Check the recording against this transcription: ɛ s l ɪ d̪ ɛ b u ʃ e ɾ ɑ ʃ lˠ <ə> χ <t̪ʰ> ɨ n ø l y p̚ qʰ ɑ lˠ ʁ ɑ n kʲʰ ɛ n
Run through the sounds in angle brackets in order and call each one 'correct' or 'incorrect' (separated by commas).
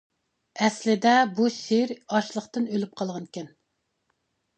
correct, incorrect